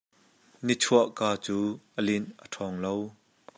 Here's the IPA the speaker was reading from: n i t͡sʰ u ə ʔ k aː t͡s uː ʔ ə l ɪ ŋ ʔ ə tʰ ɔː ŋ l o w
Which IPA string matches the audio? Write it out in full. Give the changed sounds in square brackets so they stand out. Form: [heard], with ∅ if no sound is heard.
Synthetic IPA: n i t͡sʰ u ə ʔ k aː t͡s uː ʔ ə l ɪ [n] ʔ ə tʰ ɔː ŋ l o w